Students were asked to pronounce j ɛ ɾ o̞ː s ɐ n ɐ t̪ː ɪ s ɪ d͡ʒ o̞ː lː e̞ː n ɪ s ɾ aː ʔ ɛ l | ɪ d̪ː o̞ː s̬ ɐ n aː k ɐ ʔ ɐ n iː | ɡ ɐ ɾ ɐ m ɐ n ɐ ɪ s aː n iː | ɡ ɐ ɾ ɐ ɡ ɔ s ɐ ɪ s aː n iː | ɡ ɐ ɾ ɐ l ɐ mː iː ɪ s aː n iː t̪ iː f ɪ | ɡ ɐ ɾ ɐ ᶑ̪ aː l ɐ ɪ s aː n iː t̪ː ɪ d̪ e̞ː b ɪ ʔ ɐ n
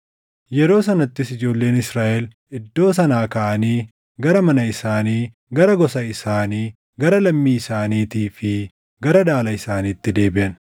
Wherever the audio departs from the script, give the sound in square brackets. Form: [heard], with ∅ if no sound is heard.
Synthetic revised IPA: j ɛ ɾ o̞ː s ɐ n ɐ t̪ː ɪ s ɪ d͡ʒ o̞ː lː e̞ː n ɪ s ɾ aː ʔ ɛ l | ɪ d̪ː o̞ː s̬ ɐ n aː k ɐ ʔ ɐ n iː | ɡ ɐ ɾ ɐ m ɐ n ɐ ɪ s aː n iː | ɡ ɐ ɾ ɐ ɡ ɔ s ɐ ɪ s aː n iː | ɡ ɐ ɾ ɐ l ɐ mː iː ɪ s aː n iː t̪ iː f ɪ | ɡ ɐ ɾ ɐ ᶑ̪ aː l ɐ ɪ s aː n iː t̪ː ɪ d̪ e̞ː b ɪ ʔ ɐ n